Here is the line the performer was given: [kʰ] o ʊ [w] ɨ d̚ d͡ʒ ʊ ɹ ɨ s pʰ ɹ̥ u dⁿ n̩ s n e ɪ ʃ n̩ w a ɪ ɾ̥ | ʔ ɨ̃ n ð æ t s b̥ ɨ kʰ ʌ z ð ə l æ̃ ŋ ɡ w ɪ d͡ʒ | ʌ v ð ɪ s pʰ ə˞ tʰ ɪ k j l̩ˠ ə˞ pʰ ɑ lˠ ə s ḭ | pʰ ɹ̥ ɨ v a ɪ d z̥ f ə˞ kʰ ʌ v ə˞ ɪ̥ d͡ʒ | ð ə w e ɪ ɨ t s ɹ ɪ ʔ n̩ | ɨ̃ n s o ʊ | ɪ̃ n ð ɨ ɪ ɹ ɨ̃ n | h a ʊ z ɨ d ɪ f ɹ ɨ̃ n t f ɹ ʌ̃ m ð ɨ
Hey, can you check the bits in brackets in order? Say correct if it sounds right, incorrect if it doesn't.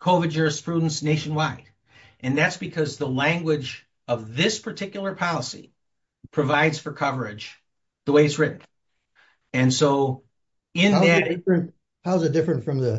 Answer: correct, incorrect: v

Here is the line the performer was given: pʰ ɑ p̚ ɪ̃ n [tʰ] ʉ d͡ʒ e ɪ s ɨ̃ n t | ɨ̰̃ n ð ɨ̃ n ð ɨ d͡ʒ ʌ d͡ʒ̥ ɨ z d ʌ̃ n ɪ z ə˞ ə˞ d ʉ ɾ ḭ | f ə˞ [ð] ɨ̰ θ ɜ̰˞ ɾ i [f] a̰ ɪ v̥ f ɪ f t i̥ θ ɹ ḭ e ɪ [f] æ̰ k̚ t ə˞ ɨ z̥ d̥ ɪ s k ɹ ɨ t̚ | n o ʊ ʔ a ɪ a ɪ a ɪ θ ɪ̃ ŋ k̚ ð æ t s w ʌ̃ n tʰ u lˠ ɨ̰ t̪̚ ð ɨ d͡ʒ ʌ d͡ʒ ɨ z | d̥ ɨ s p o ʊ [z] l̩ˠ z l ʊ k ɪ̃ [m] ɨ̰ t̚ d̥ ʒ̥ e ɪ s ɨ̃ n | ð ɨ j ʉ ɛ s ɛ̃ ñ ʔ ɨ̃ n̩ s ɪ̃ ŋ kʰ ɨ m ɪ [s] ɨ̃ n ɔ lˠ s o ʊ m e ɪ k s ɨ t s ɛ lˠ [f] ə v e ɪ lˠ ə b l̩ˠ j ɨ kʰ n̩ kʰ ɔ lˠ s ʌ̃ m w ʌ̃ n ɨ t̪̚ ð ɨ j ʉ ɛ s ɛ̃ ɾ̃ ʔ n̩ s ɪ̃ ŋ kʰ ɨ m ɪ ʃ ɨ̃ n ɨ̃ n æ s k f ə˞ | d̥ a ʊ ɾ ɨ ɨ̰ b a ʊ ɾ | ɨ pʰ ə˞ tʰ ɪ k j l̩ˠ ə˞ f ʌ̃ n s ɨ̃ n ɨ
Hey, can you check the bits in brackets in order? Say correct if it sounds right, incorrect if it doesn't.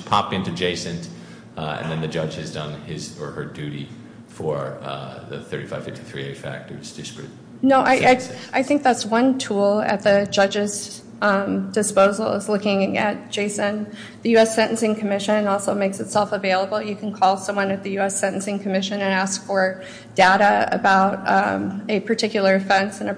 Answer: incorrect: t, correct, correct, correct, correct, incorrect: ŋ, incorrect: ʃ, correct

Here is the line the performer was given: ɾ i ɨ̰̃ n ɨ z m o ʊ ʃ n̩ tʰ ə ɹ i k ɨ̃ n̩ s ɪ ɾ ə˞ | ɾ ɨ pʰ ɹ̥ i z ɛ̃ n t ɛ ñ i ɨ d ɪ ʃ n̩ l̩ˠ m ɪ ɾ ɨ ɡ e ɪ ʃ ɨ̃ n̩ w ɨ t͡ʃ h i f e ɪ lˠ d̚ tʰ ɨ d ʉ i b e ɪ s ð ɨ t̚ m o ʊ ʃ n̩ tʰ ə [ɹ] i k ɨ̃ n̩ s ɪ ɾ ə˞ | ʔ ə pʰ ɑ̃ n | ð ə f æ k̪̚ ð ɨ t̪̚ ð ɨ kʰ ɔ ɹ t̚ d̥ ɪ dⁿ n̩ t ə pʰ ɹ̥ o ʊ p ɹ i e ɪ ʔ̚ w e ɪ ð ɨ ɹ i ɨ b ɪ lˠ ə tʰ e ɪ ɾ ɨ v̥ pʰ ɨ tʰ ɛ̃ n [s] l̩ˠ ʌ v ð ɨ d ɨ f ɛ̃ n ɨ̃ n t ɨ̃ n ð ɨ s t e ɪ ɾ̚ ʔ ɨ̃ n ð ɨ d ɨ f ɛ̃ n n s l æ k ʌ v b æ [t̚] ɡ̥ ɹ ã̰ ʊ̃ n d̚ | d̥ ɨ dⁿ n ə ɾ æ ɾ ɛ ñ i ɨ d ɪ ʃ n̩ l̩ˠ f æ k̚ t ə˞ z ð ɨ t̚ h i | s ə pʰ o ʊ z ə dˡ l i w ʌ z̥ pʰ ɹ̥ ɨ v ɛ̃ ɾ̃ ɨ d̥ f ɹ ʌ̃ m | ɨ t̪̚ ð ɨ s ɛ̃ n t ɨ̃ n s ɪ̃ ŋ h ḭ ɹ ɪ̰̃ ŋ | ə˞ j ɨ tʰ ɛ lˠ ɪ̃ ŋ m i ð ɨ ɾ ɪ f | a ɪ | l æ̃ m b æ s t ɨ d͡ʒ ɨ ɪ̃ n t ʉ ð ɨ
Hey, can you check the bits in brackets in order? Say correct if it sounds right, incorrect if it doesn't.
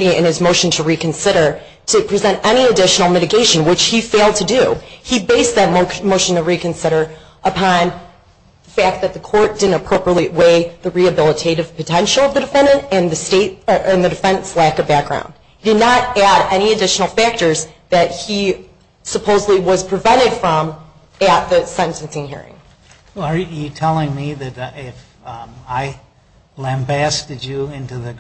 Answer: correct, incorrect: ʃ, incorrect: k̚

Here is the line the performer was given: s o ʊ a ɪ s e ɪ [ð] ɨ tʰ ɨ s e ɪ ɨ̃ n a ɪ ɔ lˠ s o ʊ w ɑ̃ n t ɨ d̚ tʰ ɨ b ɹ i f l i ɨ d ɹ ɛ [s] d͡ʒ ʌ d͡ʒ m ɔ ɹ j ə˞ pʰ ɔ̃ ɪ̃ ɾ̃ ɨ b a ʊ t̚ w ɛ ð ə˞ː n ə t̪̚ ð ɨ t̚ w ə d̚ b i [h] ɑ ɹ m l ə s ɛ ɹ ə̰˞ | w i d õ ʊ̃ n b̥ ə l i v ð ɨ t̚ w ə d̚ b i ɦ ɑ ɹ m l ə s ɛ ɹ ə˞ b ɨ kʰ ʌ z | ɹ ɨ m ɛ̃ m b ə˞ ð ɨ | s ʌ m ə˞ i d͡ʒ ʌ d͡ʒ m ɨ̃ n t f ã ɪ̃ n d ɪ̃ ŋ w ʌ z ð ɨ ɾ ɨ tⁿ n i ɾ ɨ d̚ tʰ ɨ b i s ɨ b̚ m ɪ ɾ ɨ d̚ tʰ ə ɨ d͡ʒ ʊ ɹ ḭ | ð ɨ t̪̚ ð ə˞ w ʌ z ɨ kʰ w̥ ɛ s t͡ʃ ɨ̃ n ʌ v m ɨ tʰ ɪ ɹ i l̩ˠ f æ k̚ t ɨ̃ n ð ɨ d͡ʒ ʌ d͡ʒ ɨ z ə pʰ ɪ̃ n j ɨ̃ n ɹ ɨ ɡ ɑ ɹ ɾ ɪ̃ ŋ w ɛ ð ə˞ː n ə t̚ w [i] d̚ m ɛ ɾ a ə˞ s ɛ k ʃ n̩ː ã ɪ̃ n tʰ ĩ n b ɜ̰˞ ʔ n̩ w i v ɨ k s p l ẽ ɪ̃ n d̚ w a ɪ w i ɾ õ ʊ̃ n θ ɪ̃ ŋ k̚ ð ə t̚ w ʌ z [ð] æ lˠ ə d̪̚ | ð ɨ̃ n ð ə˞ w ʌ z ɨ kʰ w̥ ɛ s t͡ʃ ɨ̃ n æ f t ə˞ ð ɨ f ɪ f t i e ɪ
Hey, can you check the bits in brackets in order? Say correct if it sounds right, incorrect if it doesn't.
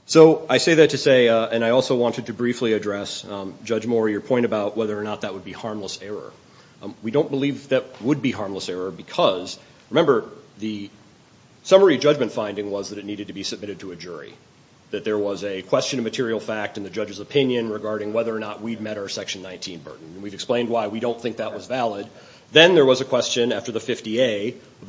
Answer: correct, correct, correct, correct, incorrect: v

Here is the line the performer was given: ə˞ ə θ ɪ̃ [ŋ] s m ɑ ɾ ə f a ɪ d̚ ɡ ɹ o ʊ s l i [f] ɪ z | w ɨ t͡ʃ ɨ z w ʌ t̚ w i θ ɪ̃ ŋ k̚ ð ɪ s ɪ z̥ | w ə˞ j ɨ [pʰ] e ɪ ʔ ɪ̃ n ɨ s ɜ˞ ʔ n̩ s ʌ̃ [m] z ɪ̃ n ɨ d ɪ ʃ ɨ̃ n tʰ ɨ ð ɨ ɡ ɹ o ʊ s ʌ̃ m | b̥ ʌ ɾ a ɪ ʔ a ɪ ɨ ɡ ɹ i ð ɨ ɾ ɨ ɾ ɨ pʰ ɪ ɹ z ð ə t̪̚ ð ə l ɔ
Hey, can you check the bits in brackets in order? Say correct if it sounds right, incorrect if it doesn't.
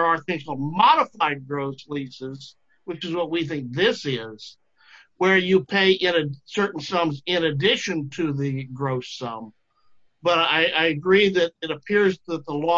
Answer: correct, incorrect: s, correct, correct

